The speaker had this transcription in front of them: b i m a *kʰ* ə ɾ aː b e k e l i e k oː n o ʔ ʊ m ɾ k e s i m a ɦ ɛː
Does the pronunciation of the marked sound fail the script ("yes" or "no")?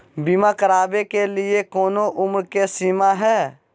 yes